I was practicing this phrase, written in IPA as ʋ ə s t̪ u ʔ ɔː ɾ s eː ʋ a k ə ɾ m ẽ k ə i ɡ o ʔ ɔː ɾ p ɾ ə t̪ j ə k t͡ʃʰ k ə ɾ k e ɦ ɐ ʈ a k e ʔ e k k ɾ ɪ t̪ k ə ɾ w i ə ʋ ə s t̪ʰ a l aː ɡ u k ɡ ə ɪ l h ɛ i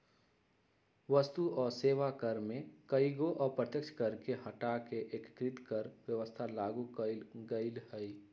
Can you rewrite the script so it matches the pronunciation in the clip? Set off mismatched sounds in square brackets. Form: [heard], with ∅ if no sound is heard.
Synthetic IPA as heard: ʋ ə s t̪ u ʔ ɔː ɾ s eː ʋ a k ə ɾ m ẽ k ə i ɡ o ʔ ɔː ɾ p ɾ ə t̪ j ə k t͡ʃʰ k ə ɾ k e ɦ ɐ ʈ a k e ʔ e k k ɾ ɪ t̪ k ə ɾ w [j] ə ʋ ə s t̪ʰ a l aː ɡ u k ɡ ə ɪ l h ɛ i